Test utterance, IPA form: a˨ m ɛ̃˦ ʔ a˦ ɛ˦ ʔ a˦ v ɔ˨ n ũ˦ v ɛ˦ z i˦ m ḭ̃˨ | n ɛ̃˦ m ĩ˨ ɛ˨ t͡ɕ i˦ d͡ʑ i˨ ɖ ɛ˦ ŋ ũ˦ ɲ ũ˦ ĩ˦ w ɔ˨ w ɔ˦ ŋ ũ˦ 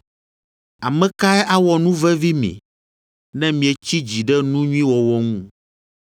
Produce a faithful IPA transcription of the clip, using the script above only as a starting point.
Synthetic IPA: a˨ m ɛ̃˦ k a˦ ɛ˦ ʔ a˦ w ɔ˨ n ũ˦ v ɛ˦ v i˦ m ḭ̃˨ | n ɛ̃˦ m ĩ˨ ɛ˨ t͡ɕ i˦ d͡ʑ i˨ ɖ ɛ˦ n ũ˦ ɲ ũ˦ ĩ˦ w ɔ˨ w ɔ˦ ŋ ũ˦

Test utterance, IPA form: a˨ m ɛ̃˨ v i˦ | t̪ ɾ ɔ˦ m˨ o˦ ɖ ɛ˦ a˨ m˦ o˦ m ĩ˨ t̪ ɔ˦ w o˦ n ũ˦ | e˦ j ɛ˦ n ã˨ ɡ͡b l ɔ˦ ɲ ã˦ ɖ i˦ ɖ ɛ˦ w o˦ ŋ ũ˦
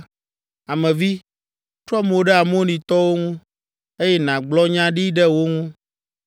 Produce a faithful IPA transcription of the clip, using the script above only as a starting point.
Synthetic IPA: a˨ m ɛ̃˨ v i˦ | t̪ ɾ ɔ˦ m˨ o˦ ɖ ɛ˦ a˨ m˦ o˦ n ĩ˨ t̪ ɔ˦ w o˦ ŋ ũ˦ | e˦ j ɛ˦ n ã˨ ɡ͡b l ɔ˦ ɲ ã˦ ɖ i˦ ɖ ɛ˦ w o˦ ŋ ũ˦

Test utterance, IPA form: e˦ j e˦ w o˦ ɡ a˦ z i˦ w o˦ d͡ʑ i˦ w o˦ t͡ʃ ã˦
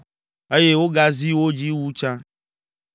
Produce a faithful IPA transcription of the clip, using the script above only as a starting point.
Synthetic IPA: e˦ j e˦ w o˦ ɡ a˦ z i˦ w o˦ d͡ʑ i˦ w u˦ t͡ʃ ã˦

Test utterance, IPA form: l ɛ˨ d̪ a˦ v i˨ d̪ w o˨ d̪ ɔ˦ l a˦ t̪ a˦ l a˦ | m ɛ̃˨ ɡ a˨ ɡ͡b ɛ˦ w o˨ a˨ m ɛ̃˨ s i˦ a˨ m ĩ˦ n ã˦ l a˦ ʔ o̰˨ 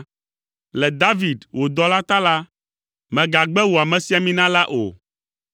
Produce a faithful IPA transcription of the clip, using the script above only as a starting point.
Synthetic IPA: l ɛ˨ d̪ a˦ v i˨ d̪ w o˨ d̪ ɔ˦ l a˦ t̪ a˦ l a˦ | m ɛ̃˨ ɡ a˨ ɡ͡b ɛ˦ w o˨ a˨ m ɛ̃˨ s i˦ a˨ m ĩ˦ n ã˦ l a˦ ʔ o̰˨

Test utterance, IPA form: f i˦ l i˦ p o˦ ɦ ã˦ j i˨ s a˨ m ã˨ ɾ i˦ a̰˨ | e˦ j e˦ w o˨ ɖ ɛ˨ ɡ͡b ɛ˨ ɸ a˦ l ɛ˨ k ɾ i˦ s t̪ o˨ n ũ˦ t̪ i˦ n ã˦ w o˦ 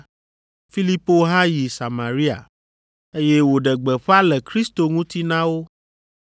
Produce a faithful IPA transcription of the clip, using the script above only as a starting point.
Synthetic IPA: f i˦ l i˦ p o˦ ɦ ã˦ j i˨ s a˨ m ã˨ ɾ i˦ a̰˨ | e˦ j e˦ w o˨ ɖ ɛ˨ ɡ͡b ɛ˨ ɸ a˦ l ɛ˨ k ɾ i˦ s t̪ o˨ ŋ ũ˦ t̪ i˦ n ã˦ w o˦

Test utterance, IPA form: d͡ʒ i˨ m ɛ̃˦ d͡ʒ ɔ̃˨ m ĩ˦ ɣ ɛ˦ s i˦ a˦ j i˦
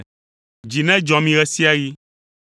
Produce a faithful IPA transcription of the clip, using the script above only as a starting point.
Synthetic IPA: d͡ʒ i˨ n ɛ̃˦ d͡ʒ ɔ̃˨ m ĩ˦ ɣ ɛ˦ s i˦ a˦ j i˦

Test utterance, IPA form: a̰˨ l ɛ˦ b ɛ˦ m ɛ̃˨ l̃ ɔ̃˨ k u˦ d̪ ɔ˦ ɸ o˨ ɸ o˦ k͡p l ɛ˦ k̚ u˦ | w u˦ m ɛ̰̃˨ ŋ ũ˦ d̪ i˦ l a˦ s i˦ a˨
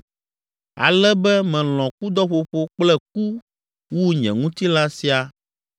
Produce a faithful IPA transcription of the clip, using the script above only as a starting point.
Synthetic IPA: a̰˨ l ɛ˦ b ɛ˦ m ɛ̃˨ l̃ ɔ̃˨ k u˦ d̪ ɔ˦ ɸ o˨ ɸ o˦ k͡p l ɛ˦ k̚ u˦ | w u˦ ɲ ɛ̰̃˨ ŋ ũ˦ t̪ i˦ l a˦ s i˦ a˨

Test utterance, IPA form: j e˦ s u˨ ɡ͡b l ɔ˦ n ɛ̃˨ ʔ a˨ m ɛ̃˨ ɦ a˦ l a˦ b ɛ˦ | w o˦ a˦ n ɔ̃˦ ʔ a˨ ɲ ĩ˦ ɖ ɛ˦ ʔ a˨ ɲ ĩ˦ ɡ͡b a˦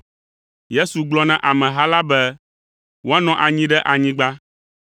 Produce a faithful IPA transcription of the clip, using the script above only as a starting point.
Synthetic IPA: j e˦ s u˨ ɡ͡b l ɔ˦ n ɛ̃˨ ʔ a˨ m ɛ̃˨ ɦ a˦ l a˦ b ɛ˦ | w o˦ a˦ n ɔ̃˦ ʔ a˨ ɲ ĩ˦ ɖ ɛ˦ ʔ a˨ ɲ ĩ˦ ɡ͡b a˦

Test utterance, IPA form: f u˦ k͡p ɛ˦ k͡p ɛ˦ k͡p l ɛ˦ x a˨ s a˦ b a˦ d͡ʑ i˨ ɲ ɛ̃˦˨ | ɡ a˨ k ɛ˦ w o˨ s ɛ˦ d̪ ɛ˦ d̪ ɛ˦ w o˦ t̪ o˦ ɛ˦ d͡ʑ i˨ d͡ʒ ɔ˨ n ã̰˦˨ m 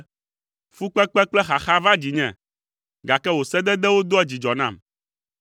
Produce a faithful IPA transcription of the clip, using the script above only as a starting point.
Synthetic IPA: f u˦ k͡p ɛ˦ k͡p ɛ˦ k͡p l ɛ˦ x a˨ x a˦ v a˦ d͡ʑ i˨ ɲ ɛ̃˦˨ | ɡ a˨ k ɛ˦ w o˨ s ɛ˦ d̪ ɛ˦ d̪ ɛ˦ w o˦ d̪ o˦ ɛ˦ d͡ʑ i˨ d͡ʒ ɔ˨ n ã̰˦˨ m

